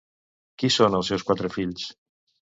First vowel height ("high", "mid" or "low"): high